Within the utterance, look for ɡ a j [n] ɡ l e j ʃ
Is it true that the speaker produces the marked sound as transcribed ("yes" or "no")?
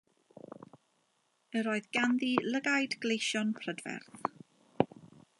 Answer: no